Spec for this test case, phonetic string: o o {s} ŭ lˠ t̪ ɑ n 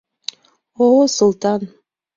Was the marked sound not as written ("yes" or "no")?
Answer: no